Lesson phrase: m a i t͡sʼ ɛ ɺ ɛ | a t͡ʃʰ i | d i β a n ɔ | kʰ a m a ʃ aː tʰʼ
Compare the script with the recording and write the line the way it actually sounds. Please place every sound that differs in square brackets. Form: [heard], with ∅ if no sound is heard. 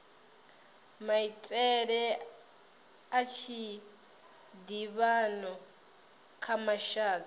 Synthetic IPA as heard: m a i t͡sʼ ɛ ɺ ɛ | a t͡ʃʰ i | d i β a n ɔ | kʰ a m a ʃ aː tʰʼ